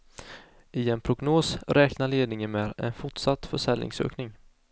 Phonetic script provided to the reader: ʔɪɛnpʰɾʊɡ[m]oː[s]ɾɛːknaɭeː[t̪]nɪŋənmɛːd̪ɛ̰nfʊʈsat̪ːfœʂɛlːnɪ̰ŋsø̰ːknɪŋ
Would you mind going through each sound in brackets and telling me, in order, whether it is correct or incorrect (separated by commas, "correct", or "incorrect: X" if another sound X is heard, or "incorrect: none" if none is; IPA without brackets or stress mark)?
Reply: incorrect: n, correct, incorrect: d̪